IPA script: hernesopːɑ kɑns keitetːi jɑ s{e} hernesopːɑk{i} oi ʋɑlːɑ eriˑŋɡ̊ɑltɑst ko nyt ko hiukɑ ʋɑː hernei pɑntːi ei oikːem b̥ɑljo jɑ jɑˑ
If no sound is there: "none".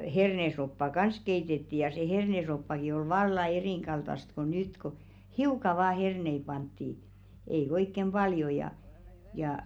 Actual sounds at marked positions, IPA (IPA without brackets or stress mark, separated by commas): e, i